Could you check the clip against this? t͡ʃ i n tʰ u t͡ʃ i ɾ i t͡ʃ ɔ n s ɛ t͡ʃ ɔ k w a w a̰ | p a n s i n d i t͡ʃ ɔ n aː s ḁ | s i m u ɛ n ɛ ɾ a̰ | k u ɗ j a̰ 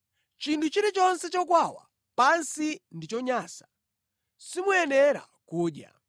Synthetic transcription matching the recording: t͡ʃ i n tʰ u t͡ʃ i ɾ i t͡ʃ ɔ n s ɛ t͡ʃ ɔ k w a w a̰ | p a n s i n d i t͡ʃ ɔ ɲ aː s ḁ | s i m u ɛ n ɛ ɾ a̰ | k uː ɗ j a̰